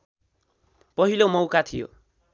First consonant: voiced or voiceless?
voiceless